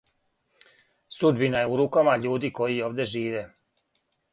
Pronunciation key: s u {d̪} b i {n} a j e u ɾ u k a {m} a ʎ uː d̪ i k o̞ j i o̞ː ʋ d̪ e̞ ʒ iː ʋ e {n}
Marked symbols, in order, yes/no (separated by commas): yes, yes, yes, no